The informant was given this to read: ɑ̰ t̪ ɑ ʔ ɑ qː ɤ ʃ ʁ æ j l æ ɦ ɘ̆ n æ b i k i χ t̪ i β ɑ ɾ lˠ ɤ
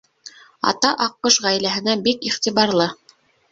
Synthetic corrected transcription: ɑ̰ t̪ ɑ ʔ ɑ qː ɤ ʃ ʁ æ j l æ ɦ ɘ̆ n æ b i k i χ t̪ i β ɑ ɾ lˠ ɤ

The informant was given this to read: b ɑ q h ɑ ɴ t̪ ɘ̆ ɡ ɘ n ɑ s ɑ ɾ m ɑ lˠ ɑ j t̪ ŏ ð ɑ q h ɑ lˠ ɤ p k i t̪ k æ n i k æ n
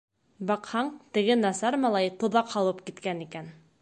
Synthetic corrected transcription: b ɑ q h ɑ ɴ t̪ ɘ̆ ɡ ɘ n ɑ s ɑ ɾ m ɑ lˠ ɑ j t̪ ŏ ð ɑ q h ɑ lˠ ɤ p k i t̪ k æ n i k æ n

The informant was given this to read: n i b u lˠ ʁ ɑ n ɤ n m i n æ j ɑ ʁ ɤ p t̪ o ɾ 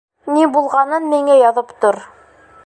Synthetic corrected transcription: n i b u lˠ ʁ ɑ n ɤ n m i ŋ æ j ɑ ð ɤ p t̪ o ɾ

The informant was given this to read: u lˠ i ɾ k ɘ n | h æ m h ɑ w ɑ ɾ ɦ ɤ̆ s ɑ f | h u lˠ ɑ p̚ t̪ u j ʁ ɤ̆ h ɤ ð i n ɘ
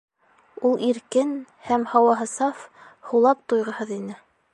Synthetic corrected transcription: u lˠ i ɾ k ɘ n | h æ m h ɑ w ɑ ɦ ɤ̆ s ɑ f | h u lˠ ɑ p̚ t̪ u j ʁ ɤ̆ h ɤ ð i n ɘ

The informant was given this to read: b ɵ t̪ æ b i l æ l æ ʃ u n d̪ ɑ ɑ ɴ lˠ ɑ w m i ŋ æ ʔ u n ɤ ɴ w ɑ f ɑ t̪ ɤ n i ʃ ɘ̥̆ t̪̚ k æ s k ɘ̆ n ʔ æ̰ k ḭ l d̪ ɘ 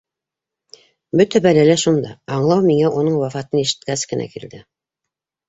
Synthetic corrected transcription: b ɵ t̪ æ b æ l æ l æ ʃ u n d̪ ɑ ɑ ɴ lˠ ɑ w m i ŋ æ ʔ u n ɤ ɴ w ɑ f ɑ t̪ ɤ n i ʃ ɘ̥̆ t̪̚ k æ s k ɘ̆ n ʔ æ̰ k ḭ l d̪ ɘ

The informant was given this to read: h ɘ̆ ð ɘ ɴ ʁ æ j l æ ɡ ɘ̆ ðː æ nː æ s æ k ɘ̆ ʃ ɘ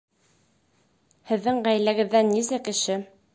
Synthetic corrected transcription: h ɘ̆ ðː ɘ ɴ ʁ æ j l æ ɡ ɘ̆ ðː æ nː i s æ k ɘ̆ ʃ ɘ

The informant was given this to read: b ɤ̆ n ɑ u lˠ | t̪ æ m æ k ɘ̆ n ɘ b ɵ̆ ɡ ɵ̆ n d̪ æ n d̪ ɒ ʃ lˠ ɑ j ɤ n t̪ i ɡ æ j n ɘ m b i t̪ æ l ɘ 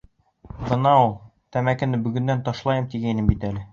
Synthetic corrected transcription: b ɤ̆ n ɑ u lˠ | t̪ æ m æ k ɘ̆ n ɘ b ɵ̆ ɡ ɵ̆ n d̪ æ n t̪ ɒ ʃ lˠ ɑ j ɤ m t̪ i ɡ æ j n ɘ m b i t̪ æ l ɘ

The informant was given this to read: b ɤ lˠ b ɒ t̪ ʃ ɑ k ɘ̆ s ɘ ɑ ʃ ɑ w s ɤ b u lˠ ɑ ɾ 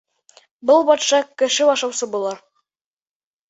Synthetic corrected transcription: b ɤ lˠ b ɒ t̪ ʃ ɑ k ɘ̆ ʃ ɘ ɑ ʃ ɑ w s ɤ b u lˠ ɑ ɾ

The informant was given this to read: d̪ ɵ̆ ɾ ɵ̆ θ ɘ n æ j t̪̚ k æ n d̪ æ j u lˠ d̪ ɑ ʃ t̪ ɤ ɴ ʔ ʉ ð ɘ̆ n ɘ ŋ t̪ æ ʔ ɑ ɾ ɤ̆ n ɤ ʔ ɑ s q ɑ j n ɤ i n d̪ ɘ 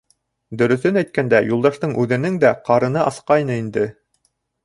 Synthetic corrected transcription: d̪ ɵ̆ ɾ ɵ̆ θ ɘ n æ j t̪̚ k æ n d̪ æ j u lˠ d̪ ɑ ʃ t̪ ɤ ɴ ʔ ʉ ð ɘ̆ n ɘ ŋ d̪ æ q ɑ ɾ ɤ̆ n ɤ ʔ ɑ s q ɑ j n ɤ i n d̪ ɘ

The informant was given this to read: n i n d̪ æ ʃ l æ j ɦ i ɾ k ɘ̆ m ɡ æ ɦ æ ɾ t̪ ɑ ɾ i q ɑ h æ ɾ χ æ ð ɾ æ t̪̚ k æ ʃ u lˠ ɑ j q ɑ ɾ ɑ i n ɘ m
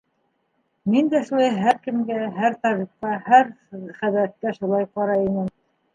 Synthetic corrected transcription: m i n d̪ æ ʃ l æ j ɦ æ ɾ k ɘ̆ m ɡ æ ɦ æ ɾ t̪ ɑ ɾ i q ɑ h æ ɾ χ æ ð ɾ æ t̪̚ k æ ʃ u lˠ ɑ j q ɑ ɾ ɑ i n ɘ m

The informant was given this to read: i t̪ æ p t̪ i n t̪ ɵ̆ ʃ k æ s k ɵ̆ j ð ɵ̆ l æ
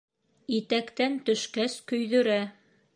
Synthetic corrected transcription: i t̪ æ k t̪ æ n t̪ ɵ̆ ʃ k æ s k ɵ̆ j ð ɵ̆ ɾ æ

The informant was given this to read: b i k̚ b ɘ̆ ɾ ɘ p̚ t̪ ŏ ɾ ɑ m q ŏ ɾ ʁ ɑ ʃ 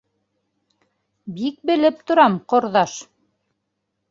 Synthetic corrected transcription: b i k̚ b ɘ̆ l ɘ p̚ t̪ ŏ ɾ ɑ m q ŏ ɾ ð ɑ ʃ

